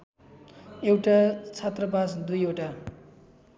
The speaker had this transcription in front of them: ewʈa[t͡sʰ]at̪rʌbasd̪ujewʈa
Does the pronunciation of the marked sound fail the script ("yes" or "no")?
no